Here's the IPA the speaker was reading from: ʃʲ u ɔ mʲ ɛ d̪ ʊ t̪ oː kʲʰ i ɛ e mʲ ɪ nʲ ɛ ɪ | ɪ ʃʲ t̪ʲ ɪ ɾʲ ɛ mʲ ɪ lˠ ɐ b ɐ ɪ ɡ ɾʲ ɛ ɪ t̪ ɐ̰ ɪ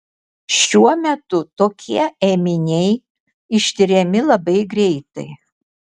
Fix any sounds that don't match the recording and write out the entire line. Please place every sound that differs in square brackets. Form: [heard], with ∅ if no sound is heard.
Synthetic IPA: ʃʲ u ɔ mʲ ɛ [t̪] ʊ t̪ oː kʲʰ i ɛ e mʲ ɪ nʲ ɛ ɪ | ɪ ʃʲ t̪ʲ ɪ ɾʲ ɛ mʲ ɪ lˠ ɐ b ɐ ɪ ɡ ɾʲ ɛ ɪ t̪ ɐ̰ ɪ